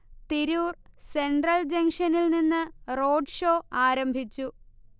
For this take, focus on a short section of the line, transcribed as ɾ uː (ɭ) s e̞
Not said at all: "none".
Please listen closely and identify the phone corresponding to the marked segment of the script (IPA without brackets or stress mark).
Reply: r